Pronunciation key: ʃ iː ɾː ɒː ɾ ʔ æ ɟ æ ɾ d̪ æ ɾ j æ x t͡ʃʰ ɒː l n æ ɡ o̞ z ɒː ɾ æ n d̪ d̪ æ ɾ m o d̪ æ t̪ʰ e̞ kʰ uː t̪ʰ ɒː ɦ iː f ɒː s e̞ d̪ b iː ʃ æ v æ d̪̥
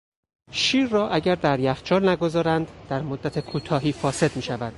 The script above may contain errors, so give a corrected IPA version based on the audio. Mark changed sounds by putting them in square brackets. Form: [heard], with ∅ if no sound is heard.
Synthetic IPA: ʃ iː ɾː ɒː [∅] ʔ æ ɟ æ ɾ d̪ æ ɾ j æ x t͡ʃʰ ɒː l n æ ɡ o̞ z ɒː ɾ æ n d̪ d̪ æ ɾ m o [d̪ː] æ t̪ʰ e̞ kʰ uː t̪ʰ ɒː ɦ iː f ɒː s e̞ d̪ [m] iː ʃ æ v æ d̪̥

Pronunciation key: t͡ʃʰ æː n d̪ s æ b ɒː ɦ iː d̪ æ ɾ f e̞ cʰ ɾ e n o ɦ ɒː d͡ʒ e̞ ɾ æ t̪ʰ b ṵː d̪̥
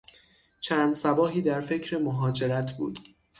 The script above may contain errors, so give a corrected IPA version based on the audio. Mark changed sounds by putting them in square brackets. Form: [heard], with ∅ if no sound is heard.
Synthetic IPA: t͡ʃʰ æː n d̪ s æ b ɒː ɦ iː d̪ æ ɾ f e̞ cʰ ɾ e [m] o ɦ ɒː d͡ʒ e̞ ɾ æ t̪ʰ b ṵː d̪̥

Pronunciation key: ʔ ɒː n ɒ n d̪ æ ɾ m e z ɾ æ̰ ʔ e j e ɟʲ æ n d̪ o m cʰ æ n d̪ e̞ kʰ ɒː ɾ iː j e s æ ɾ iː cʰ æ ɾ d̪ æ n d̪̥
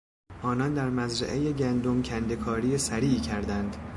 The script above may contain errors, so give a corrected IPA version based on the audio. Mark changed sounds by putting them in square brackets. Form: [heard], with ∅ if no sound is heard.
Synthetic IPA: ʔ ɒː n ɒ n d̪ æ ɾ m [æ] z ɾ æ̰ ʔ e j e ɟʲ æ n d̪ o m cʰ æ n d̪ e̞ kʰ ɒː ɾ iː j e s æ ɾ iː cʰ æ ɾ d̪ æ n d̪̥

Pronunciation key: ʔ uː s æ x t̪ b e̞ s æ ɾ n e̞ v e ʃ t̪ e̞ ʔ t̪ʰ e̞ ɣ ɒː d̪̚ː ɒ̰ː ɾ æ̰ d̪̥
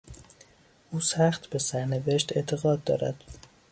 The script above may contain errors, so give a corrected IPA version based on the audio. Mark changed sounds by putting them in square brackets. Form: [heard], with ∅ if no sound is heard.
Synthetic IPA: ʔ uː s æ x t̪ b e̞ s æ ɾ n e̞ v e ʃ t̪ e̞ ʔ t̪ʰ e̞ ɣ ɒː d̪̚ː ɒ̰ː ɾ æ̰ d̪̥

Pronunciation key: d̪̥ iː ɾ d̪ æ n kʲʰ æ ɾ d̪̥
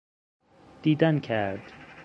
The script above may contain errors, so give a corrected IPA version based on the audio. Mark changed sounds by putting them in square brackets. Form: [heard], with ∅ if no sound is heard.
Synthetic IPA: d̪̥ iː [∅] d̪ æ n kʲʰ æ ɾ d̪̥

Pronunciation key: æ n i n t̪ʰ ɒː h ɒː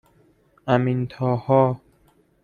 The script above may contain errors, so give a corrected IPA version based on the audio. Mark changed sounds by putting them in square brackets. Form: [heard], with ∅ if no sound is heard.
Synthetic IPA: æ [m] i n t̪ʰ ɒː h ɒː

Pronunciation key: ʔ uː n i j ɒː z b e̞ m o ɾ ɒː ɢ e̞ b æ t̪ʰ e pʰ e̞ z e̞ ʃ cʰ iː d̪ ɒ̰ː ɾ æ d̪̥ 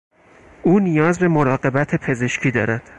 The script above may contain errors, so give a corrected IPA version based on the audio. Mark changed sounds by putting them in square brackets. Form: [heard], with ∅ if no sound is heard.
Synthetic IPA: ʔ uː n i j ɒː z b e̞ m o ɾ ɒː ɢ e̞ b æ t̪ʰ e pʰ e̞ z e̞ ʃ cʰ iː d̪ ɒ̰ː ɾ æ d̪̥

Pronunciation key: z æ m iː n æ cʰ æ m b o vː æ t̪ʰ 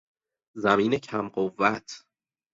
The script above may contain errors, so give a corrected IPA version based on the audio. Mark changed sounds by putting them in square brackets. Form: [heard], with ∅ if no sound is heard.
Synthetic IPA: z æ m iː n [e] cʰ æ m [ɢ] o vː æ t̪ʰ

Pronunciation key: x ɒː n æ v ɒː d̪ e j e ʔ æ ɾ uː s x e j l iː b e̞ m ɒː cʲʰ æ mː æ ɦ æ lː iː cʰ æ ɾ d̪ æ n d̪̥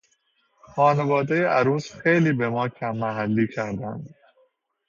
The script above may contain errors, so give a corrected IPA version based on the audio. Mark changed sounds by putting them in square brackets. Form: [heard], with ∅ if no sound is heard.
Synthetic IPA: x ɒː n [e] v ɒː d̪ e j e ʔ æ ɾ uː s x e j l iː b e̞ m ɒː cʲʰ æ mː æ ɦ æ lː iː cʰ æ ɾ d̪ æ n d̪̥

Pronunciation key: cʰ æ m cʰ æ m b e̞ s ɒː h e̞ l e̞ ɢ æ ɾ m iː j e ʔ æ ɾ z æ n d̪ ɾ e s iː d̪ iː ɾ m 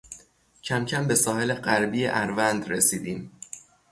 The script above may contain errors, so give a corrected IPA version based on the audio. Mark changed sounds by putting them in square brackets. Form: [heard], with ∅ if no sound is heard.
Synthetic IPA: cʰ æ m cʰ æ m b e̞ s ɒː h e̞ l e̞ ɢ æ ɾ [b] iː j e ʔ æ ɾ [v] æ n d̪ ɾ e s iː d̪ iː [∅] m

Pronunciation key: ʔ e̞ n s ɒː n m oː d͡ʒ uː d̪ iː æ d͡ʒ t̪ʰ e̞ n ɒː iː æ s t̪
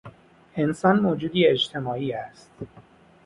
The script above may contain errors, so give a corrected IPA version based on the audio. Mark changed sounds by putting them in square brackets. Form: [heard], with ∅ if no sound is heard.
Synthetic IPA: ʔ e̞ n s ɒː n m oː d͡ʒ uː d̪ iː [e] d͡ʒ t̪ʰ e̞ [m] ɒː iː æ s t̪

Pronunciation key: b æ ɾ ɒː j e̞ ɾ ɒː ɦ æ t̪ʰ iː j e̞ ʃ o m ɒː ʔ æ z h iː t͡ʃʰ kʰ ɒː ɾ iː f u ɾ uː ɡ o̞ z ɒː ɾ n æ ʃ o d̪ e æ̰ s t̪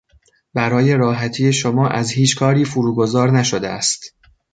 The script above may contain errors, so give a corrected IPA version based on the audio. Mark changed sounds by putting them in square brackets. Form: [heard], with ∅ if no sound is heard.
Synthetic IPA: b æ ɾ ɒː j e̞ ɾ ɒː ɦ æ t̪ʰ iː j e̞ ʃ o m ɒː ʔ æ z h iː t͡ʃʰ kʰ ɒː ɾ iː f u ɾ uː ɡ o̞ z ɒː ɾ n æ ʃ o d̪ e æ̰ s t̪

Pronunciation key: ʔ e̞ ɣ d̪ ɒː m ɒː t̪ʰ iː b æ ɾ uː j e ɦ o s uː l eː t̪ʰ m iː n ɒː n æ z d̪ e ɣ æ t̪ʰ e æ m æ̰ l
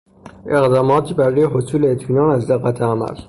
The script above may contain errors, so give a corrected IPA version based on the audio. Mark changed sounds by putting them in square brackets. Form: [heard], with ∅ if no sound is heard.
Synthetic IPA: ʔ e̞ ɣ d̪ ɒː m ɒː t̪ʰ iː b æ ɾ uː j e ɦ o s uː l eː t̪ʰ m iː n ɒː n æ z d̪ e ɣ æ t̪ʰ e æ m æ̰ l

